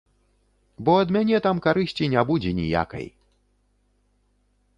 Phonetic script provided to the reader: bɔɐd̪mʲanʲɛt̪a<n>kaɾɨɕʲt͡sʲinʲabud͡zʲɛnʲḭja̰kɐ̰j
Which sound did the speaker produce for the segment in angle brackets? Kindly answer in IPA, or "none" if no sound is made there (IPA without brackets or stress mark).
m